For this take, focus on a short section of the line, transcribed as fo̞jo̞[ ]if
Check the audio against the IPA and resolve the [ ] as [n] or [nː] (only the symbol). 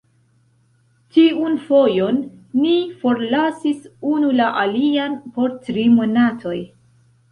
nː